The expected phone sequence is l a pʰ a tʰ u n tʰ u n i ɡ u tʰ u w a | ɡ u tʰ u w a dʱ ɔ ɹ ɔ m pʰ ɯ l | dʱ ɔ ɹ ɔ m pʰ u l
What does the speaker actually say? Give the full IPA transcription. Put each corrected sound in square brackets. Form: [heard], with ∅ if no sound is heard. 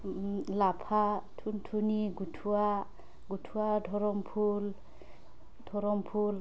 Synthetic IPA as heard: l a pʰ a tʰ u n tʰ u n i ɡ u tʰ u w a | ɡ u tʰ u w a dʱ ɔ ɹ ɔ m pʰ [u] l | dʱ ɔ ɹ ɔ m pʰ u l